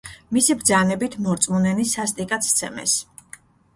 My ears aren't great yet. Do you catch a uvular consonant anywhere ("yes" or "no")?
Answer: no